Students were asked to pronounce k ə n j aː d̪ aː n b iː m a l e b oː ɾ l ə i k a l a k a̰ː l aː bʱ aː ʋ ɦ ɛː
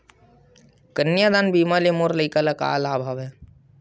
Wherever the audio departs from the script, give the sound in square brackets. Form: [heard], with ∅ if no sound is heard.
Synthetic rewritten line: k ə n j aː d̪ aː n b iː m a l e [m] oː ɾ l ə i k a l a k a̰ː l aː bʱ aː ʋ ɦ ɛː